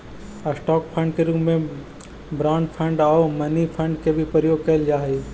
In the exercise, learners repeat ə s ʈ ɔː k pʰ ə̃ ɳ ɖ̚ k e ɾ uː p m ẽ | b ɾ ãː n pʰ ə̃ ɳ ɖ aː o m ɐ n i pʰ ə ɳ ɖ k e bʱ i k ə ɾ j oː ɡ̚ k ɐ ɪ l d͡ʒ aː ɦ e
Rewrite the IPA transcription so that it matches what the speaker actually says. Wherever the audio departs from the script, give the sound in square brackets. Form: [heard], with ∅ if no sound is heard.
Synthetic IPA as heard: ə s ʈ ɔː k pʰ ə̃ ɳ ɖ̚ k e ɾ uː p m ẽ | b ɾ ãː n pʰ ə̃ ɳ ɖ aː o m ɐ n i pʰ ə ɳ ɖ k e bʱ i [p] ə ɾ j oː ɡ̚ k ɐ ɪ l d͡ʒ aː ɦ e